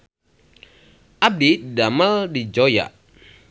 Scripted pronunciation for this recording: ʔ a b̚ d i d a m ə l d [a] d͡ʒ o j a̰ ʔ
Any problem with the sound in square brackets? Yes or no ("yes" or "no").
yes